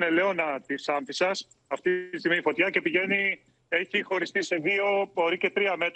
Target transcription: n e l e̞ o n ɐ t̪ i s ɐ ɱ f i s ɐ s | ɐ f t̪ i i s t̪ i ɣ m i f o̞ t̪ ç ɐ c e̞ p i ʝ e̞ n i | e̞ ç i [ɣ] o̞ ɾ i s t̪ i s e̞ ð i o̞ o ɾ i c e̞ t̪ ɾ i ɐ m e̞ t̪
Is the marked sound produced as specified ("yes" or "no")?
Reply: no